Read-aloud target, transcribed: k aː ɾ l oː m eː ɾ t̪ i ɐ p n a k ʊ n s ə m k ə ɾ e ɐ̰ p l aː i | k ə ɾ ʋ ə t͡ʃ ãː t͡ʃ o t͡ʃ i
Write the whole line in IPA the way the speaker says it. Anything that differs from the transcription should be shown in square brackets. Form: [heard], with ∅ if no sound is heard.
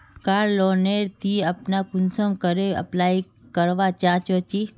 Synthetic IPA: k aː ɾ l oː [n] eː ɾ t̪ i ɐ p n a k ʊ n s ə m k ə ɾ e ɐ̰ p l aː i | k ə ɾ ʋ [a] t͡ʃ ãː t͡ʃ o t͡ʃ i